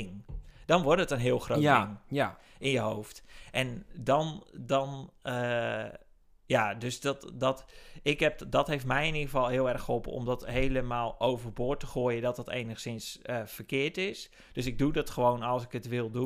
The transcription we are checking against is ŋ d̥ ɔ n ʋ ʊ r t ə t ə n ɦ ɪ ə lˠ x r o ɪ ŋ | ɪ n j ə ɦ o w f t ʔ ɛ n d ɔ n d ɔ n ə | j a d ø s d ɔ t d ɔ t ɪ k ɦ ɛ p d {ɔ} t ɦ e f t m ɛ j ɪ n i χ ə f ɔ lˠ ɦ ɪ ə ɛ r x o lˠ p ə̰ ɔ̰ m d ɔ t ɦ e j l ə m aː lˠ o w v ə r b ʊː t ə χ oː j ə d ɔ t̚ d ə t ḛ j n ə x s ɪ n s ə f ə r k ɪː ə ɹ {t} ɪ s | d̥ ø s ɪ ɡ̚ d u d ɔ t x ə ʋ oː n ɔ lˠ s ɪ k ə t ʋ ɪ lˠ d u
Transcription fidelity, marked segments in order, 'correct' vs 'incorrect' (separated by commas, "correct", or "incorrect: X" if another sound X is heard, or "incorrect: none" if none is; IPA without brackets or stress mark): correct, correct